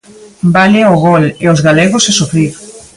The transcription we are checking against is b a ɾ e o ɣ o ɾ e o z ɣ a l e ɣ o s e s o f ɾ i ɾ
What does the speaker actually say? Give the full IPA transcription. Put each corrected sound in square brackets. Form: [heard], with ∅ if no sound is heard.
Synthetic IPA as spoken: b a [l] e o ɣ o [l] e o z ɣ a l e ɣ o s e s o f ɾ i ɾ